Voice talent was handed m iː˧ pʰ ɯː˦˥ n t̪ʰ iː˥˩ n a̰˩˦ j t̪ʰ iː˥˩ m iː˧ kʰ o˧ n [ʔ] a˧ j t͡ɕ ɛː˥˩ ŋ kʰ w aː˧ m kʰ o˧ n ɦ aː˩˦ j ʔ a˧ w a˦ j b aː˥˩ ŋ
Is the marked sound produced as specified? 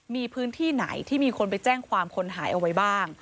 no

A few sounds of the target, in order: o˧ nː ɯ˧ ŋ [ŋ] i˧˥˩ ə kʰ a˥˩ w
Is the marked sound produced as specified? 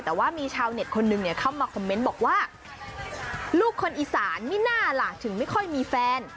no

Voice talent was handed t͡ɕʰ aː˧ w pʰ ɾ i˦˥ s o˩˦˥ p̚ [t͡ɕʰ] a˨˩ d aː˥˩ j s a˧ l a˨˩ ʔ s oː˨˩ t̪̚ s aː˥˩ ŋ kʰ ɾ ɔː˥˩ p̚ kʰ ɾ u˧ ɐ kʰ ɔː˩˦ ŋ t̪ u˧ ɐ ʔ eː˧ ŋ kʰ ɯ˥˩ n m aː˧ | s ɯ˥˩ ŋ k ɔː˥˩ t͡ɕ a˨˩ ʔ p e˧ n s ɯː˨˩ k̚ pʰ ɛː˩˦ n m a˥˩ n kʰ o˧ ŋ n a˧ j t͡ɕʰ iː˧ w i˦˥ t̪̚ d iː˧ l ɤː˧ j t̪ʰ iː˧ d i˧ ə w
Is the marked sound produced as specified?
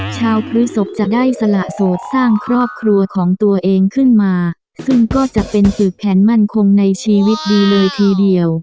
no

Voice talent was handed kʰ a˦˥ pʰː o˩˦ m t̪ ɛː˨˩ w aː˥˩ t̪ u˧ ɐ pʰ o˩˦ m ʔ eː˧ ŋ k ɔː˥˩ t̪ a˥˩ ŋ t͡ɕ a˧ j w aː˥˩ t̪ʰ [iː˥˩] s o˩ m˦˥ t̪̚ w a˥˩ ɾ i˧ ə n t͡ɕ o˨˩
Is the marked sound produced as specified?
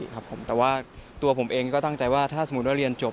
no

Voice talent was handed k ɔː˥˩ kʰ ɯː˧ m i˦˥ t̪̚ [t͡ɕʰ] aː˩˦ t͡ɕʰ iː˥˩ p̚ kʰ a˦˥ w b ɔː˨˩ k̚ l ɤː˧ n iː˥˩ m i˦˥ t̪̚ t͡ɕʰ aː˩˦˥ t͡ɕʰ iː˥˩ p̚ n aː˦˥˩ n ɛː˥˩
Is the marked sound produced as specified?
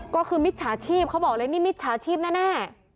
yes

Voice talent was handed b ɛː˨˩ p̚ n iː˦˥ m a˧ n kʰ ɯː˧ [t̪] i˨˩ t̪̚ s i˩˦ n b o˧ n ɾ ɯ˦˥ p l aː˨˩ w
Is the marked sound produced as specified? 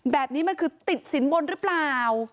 yes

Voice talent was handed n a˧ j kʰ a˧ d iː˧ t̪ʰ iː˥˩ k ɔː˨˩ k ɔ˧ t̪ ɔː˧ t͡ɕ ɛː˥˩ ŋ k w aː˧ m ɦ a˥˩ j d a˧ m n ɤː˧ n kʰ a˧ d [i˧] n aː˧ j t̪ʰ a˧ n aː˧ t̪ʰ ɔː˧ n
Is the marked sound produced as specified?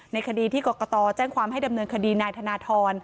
no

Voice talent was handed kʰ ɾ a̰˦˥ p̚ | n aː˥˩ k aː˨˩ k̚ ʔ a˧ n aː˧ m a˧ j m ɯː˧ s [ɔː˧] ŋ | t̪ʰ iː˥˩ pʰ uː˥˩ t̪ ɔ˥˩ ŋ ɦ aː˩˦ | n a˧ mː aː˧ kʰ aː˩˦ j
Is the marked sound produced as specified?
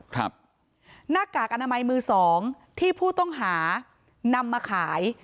no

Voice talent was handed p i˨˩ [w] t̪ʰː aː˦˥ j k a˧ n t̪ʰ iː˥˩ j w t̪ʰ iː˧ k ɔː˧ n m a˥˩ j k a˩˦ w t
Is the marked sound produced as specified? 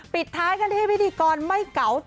no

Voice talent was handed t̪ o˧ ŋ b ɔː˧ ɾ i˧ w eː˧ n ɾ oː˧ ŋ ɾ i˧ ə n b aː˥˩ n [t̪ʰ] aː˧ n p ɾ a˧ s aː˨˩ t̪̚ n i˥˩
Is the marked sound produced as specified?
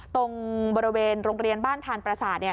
yes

